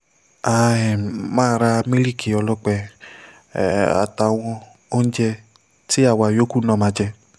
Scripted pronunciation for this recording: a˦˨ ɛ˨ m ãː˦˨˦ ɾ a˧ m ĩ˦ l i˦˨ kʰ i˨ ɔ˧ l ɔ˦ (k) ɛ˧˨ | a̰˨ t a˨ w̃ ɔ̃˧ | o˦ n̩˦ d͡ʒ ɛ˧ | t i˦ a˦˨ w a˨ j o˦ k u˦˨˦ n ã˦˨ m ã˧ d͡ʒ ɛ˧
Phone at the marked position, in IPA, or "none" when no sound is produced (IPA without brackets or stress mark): k͡p